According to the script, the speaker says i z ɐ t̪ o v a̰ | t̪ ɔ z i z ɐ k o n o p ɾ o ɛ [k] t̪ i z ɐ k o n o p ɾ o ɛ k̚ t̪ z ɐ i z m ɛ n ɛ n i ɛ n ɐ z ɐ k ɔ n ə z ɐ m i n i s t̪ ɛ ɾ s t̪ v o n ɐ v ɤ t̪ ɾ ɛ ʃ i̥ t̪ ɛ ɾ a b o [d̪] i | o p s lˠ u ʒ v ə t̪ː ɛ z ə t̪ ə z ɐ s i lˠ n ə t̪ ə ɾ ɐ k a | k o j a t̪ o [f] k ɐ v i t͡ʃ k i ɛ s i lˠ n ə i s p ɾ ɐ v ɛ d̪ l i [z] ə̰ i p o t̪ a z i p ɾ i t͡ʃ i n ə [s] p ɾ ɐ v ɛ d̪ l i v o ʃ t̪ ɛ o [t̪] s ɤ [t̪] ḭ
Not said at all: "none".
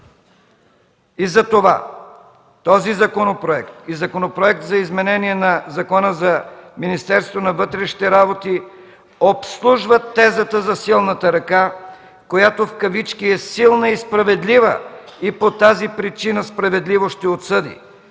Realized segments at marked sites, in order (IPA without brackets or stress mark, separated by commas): k, t̪, f, v, s, t̪, d̪